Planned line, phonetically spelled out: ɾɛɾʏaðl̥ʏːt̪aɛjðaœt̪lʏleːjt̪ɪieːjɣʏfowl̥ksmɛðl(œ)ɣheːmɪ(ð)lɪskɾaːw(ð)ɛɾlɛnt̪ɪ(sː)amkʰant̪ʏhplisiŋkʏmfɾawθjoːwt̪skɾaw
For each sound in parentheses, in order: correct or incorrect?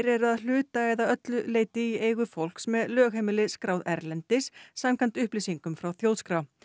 incorrect: œː, incorrect: none, correct, correct

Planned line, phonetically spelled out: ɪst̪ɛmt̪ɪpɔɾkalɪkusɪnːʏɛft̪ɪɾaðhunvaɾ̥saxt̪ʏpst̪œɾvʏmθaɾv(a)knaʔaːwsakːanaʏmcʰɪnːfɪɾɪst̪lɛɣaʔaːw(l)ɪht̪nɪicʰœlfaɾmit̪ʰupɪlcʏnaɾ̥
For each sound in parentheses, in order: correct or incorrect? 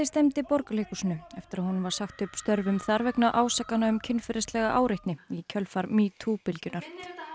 incorrect: ɛ, incorrect: ɾ

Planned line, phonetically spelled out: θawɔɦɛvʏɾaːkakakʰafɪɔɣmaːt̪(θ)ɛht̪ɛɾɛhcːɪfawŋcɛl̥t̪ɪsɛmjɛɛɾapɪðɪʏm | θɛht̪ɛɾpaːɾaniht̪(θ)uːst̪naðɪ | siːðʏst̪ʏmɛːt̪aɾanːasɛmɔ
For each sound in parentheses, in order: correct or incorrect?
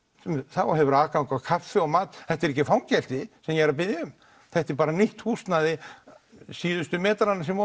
correct, incorrect: h

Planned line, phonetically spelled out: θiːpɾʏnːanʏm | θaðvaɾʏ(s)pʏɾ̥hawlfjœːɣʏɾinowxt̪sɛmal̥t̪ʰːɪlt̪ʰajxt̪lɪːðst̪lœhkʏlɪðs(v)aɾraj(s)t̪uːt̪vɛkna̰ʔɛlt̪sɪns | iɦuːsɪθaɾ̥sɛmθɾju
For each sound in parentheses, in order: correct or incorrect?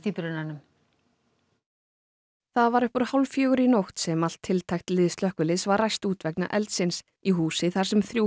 incorrect: h, correct, correct

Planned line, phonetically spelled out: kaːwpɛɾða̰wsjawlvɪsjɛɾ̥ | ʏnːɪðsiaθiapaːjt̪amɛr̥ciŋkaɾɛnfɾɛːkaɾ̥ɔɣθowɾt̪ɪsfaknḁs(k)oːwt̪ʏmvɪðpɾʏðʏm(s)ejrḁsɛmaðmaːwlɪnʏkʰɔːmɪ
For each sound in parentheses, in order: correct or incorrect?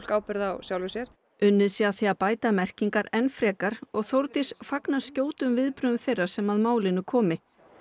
incorrect: c, incorrect: θ

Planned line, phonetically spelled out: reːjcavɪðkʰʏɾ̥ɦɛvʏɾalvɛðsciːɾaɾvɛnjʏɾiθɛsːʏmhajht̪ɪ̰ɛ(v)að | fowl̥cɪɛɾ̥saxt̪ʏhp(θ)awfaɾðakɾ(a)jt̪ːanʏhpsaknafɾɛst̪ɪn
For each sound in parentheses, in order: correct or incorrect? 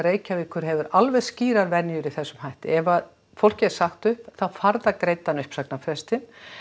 correct, correct, incorrect: e

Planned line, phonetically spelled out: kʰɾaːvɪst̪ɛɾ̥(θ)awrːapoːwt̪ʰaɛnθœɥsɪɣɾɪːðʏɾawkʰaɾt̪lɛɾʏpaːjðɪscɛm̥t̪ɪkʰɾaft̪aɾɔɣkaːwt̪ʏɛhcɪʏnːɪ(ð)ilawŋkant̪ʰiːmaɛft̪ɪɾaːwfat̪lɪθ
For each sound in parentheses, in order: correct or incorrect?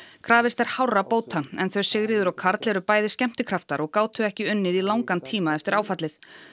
incorrect: h, correct

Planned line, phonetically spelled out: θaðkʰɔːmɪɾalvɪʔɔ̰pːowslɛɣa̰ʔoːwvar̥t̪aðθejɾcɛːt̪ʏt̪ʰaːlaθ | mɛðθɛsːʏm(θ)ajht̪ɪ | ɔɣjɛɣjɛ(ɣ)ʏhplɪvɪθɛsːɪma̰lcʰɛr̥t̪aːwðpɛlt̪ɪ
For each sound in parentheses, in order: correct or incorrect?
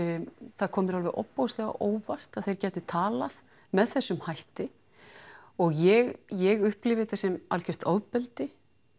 incorrect: h, correct

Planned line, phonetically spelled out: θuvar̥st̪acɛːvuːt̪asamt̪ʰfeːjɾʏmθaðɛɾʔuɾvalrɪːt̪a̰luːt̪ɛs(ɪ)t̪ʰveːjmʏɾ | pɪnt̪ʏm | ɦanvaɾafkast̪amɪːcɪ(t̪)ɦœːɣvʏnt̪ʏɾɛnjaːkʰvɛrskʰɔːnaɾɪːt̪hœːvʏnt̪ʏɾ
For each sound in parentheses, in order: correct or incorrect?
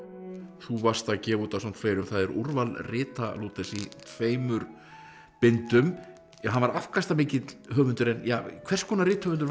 incorrect: i, correct

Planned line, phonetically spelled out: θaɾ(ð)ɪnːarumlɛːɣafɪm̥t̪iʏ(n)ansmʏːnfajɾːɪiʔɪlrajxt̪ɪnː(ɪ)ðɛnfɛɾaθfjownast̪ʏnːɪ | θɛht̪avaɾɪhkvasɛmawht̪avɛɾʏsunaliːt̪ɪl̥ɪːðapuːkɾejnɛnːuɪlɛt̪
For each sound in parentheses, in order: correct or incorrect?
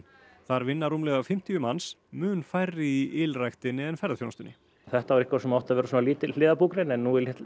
incorrect: v, incorrect: m, correct

